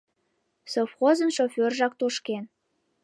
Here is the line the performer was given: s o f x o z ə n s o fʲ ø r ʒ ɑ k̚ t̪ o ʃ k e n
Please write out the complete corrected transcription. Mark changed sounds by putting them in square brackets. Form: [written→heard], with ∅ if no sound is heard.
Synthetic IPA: s o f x o z ə n [s→ʃ] o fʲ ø r ʒ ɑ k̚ t̪ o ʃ k e n